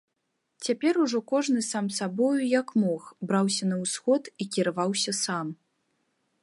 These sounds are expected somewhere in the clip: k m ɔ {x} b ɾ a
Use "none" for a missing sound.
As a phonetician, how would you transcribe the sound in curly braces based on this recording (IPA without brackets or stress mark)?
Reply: x